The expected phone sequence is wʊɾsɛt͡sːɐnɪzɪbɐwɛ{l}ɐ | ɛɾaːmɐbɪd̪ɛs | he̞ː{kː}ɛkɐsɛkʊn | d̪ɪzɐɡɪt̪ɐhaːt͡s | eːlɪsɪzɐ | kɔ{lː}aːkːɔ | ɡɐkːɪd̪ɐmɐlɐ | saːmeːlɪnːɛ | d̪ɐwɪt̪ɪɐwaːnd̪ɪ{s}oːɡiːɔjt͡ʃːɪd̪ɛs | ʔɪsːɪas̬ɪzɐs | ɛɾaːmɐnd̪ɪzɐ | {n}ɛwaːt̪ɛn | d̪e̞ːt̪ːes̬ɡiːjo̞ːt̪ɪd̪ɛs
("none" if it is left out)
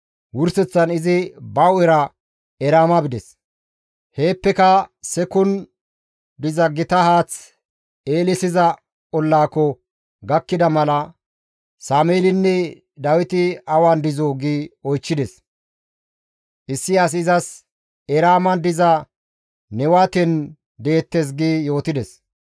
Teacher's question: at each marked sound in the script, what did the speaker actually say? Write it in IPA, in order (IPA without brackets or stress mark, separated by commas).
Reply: ɾ, pː, lː, z, n